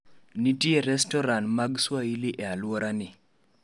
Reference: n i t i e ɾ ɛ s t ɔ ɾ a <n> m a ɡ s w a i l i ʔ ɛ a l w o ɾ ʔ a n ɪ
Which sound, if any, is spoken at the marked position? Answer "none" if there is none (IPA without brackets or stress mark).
n